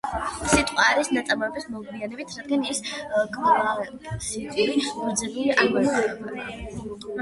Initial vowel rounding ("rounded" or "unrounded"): unrounded